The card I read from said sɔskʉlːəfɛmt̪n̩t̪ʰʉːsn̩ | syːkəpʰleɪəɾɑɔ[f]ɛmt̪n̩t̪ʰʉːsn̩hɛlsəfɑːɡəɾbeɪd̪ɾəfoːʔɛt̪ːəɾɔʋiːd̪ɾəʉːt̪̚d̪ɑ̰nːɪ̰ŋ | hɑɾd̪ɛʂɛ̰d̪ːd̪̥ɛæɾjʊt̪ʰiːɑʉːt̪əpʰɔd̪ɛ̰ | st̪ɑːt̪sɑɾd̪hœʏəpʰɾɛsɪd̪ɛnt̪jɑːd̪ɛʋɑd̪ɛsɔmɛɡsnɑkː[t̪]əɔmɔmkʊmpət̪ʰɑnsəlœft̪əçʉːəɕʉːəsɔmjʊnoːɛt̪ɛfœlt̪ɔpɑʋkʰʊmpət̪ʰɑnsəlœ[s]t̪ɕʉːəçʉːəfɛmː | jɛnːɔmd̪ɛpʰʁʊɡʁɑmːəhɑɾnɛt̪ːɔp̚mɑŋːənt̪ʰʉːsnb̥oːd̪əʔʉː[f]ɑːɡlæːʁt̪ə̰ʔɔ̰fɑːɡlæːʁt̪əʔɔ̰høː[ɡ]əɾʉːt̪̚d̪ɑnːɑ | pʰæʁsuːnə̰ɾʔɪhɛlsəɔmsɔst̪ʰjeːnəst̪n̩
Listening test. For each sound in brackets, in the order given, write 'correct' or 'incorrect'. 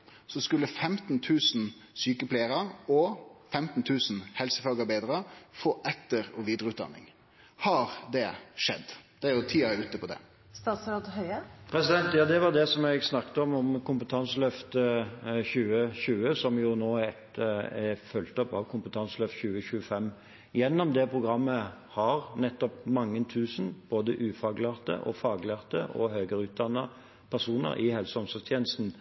correct, correct, incorrect: f, correct, correct

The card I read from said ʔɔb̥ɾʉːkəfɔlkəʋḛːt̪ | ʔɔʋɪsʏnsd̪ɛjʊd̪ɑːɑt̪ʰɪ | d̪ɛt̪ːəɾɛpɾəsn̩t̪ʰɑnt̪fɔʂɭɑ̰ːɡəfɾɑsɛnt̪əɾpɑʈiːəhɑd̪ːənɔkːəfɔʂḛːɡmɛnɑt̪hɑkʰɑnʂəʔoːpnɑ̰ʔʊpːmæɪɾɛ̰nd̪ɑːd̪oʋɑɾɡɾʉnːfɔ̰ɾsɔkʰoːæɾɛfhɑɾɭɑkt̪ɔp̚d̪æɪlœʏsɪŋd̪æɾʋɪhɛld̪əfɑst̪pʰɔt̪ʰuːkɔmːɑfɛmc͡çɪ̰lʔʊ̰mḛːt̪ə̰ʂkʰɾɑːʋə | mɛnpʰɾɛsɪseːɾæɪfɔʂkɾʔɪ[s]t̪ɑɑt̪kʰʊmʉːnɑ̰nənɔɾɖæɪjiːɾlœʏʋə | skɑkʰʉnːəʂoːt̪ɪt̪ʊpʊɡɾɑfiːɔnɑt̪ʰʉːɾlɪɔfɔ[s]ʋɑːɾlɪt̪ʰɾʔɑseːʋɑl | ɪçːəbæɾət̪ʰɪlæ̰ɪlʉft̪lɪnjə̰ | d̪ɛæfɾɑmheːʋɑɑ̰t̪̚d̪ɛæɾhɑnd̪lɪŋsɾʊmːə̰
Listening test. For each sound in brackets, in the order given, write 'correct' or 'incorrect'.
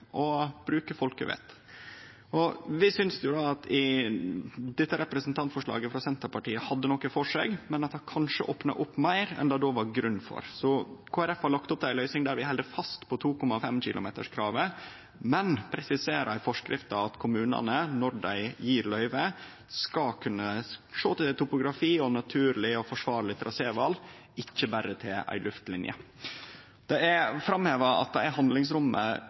incorrect: f, incorrect: ʂ

